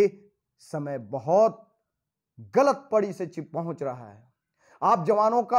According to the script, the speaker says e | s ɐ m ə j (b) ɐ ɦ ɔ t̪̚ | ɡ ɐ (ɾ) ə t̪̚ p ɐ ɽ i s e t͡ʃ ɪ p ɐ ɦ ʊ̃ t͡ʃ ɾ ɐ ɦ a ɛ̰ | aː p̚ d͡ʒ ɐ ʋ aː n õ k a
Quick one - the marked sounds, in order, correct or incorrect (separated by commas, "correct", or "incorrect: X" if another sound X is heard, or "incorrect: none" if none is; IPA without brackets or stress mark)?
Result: correct, incorrect: l